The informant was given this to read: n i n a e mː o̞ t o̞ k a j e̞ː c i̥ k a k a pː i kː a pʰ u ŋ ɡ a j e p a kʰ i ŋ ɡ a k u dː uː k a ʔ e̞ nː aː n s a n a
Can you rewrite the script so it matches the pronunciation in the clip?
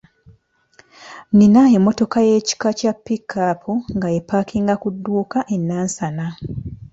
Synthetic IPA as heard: n i n a e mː o̞ t o̞ k a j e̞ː c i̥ k a c a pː i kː a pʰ u ŋ ɡ a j e p a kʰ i ŋ ɡ a k u dː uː k a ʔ e̞ nː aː n s a n a